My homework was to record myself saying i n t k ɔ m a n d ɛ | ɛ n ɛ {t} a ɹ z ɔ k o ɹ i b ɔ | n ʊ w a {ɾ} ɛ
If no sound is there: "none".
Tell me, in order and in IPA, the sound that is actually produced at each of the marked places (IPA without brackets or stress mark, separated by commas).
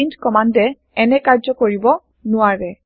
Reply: k, ɹ